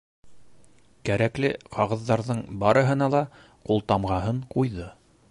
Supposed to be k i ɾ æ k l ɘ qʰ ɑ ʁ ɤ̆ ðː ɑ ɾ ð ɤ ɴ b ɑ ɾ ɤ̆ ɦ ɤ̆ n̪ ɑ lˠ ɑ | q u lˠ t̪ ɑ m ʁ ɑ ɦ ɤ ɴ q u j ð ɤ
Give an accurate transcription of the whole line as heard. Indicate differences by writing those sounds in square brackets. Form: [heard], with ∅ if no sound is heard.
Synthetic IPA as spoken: k [æ] ɾ æ k l ɘ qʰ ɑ ʁ ɤ̆ ðː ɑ ɾ ð ɤ ɴ b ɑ ɾ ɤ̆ ɦ ɤ̆ n̪ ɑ lˠ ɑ | q u lˠ t̪ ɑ m ʁ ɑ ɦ ɤ ɴ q u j ð ɤ